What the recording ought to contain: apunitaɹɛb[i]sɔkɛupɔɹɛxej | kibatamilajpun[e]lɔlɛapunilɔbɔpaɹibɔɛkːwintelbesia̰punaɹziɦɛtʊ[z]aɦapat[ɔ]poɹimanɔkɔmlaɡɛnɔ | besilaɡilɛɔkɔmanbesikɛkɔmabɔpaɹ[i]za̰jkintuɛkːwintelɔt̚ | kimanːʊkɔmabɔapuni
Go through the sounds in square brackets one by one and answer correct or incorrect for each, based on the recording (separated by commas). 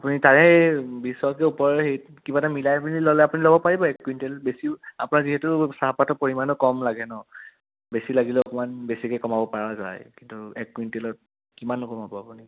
correct, incorrect, incorrect, correct, incorrect